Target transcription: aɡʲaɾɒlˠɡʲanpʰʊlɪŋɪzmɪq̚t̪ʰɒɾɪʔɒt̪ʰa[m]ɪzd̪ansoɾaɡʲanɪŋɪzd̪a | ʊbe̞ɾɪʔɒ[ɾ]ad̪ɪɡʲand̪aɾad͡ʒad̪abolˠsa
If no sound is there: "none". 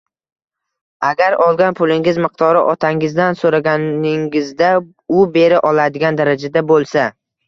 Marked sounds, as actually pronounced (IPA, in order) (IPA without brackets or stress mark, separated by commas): ŋ, l